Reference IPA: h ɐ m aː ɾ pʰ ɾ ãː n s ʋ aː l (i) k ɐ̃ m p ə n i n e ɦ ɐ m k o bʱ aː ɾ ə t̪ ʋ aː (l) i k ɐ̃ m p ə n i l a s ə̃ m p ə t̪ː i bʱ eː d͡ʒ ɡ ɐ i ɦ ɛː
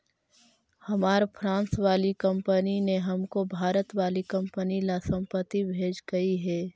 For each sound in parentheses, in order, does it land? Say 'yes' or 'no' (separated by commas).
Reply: yes, yes